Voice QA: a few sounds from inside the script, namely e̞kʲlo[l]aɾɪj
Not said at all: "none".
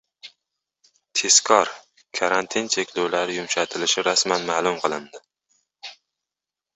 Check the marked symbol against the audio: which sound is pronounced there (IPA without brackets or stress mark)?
l